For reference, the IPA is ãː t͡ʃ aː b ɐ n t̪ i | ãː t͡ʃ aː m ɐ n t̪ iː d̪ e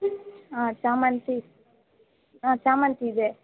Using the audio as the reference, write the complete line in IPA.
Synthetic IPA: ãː t͡ʃ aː m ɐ n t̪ i | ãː t͡ʃ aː m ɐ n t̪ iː d̪ e